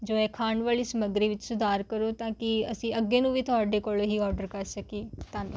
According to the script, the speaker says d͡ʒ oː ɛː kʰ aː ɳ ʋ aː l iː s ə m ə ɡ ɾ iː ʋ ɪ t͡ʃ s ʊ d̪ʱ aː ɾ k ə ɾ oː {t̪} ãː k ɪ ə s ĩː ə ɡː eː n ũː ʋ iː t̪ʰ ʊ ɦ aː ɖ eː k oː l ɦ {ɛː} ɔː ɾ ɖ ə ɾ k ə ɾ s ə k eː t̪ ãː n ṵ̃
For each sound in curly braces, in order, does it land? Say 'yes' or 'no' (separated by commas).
yes, no